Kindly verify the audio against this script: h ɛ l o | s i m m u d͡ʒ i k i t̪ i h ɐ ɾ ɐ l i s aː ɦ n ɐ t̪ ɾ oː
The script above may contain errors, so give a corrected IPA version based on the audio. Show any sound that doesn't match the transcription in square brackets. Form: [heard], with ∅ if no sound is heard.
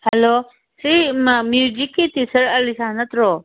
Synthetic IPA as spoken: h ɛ l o | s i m m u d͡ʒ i k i t̪ i [s] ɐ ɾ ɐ l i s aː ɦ n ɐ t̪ ɾ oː